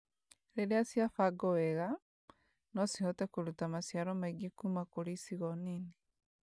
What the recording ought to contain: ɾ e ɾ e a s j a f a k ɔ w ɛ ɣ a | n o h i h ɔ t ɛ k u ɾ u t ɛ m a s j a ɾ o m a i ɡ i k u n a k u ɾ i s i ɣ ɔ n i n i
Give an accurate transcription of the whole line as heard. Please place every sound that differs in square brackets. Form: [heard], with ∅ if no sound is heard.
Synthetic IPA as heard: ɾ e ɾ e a s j a f a [ɡ] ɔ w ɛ ɣ a | n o [s] i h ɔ t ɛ k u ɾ u t [a] m a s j a ɾ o m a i ɡ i k u [m] a k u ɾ i s i ɣ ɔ n i n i